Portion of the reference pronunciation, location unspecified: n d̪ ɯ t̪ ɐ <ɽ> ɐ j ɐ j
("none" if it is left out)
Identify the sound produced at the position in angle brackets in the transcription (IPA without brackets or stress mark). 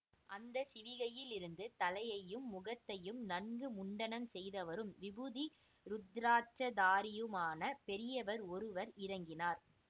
l